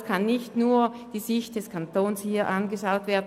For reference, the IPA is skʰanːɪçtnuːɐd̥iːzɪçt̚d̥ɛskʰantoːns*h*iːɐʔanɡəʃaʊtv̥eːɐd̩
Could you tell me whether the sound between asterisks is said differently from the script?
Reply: no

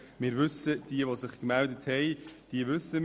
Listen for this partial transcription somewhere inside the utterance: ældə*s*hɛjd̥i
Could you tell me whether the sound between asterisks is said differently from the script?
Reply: yes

